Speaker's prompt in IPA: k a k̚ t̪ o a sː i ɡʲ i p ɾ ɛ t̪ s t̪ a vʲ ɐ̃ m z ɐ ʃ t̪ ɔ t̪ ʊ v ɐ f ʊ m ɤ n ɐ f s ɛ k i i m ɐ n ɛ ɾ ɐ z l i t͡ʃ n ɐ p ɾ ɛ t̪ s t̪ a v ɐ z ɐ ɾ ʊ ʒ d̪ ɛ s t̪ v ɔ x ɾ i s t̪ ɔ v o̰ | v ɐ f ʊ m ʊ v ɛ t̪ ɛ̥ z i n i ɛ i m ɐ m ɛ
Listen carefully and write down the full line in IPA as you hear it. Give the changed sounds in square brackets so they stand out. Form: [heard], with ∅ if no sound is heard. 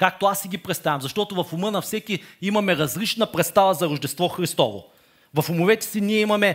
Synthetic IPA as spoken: k a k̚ t̪ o a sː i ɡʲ i p ɾ ɛ t̪ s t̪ a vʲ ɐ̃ m z ɐ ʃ t̪ ɔ t̪ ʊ v ɐ f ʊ m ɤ n ɐ f s ɛ k i i m ɐ [m] ɛ ɾ ɐ z l i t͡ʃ n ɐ p ɾ ɛ t̪ s t̪ a v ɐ z ɐ ɾ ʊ ʒ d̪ ɛ s t̪ v ɔ x ɾ i s t̪ ɔ v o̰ | v ɐ f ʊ m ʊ v ɛ t̪ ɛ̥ [s] i n i ɛ i m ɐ m ɛ